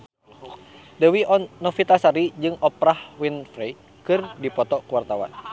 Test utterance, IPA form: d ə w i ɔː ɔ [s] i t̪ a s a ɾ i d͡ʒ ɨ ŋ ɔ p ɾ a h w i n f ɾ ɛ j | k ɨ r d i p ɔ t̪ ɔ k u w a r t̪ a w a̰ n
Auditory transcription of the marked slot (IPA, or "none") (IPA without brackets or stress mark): f